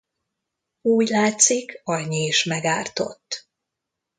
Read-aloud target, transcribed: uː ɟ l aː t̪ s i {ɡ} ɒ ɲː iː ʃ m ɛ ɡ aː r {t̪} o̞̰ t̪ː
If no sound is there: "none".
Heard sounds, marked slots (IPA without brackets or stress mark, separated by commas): k, t̪